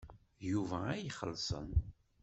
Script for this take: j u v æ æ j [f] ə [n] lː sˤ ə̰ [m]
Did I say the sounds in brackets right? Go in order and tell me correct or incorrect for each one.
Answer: incorrect: χ, incorrect: none, incorrect: n

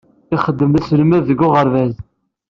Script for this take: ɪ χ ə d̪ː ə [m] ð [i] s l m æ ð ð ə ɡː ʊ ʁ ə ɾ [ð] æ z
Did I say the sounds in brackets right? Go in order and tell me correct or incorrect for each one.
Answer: correct, incorrect: æ, incorrect: v

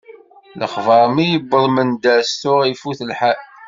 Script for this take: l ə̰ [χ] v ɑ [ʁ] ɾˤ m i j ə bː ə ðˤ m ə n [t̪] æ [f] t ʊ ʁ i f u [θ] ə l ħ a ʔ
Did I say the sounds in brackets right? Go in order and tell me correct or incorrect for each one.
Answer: correct, incorrect: none, incorrect: d̪, incorrect: s, correct

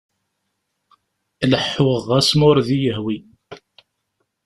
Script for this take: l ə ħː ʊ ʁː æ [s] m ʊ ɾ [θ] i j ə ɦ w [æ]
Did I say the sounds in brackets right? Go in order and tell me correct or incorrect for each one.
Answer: correct, incorrect: ð, incorrect: i

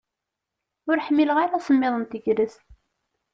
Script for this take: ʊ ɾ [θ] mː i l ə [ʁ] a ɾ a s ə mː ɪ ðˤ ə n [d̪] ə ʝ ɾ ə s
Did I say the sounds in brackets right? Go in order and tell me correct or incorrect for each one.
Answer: incorrect: ħ, correct, incorrect: t̪

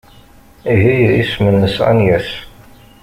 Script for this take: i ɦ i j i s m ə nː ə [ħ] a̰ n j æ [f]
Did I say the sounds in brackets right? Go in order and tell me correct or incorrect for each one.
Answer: incorrect: s, incorrect: s

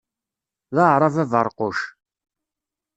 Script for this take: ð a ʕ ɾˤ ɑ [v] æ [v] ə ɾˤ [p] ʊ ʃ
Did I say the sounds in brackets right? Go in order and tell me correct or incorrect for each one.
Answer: correct, correct, incorrect: q

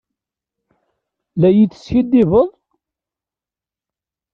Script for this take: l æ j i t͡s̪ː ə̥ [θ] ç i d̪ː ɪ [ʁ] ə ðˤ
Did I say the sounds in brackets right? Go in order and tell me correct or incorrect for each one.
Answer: incorrect: s, incorrect: v

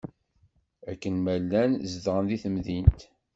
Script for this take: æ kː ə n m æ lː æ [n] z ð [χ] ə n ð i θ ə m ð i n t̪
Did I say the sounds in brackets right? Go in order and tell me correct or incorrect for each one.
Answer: correct, incorrect: ʁ

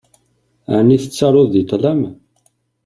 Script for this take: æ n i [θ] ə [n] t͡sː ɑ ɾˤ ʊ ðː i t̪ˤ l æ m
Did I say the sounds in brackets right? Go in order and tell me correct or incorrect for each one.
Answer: correct, incorrect: none

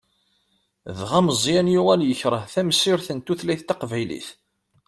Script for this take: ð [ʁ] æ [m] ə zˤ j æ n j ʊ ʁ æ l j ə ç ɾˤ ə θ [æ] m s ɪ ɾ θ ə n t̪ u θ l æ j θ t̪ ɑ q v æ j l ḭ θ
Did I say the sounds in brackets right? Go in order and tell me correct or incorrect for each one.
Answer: correct, correct, correct

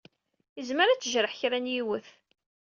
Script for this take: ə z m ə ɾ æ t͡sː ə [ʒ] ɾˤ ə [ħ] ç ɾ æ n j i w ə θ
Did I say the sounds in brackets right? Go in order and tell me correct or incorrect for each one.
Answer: correct, correct

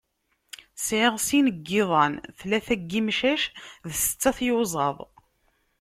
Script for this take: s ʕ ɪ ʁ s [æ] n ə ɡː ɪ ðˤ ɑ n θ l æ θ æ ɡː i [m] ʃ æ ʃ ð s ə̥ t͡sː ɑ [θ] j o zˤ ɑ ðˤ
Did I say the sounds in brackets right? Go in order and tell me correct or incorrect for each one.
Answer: incorrect: i, correct, correct

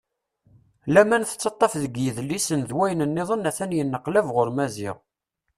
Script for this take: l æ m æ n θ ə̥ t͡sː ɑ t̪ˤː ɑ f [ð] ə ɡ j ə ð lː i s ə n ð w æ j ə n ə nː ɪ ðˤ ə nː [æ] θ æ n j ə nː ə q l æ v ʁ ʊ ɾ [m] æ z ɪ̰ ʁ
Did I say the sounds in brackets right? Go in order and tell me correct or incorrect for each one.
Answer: correct, correct, correct

